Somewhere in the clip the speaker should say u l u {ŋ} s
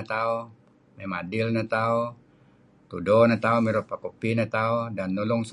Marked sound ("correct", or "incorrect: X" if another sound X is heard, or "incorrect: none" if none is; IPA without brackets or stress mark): correct